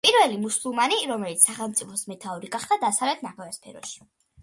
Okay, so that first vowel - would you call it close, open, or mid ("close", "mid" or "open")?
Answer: close